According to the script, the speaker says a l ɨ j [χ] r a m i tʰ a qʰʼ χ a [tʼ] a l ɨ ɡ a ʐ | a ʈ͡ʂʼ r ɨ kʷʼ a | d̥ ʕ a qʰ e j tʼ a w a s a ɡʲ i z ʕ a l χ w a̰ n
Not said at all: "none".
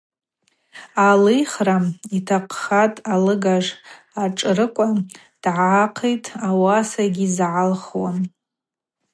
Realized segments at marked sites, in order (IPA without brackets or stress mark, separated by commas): χ, tʼ